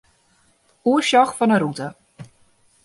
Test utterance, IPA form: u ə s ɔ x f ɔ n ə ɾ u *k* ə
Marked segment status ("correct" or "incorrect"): incorrect